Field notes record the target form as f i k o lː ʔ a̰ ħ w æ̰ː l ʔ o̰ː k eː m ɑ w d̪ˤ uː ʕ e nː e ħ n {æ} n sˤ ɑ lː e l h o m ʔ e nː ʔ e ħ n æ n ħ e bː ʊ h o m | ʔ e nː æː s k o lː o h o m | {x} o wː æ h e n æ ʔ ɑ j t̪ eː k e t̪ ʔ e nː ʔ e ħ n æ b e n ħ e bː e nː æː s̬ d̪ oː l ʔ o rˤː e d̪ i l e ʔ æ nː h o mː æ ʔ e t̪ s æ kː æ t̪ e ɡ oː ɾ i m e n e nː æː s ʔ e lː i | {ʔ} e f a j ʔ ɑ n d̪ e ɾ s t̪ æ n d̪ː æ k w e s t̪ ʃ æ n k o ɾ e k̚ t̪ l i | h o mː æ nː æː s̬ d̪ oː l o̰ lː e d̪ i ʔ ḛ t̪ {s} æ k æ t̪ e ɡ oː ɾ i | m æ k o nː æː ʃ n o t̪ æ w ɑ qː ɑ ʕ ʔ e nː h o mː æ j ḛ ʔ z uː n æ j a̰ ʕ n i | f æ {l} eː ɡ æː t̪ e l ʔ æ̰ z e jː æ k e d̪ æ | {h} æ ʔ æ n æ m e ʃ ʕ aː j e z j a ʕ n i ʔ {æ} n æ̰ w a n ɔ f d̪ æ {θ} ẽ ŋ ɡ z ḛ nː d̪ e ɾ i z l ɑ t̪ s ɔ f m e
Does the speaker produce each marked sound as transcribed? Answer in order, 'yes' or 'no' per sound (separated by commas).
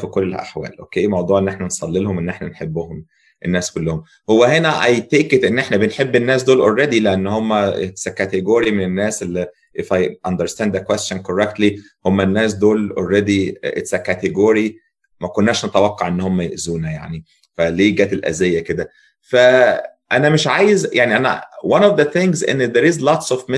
yes, no, yes, yes, yes, no, yes, yes